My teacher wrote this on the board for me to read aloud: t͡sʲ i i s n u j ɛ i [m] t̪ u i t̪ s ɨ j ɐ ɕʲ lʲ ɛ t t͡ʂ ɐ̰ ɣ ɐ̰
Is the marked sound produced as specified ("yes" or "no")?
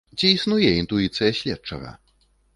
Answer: no